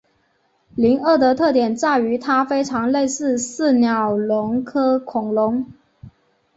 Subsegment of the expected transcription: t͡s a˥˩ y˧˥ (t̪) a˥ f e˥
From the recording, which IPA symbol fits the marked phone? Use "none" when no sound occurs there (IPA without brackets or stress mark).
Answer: t̪ʰ